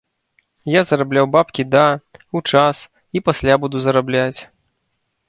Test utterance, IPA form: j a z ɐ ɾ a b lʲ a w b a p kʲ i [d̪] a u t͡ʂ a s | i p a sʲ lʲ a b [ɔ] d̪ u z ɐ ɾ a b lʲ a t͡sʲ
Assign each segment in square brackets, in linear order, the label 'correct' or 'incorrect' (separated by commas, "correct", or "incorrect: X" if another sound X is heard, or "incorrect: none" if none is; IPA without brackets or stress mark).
correct, incorrect: u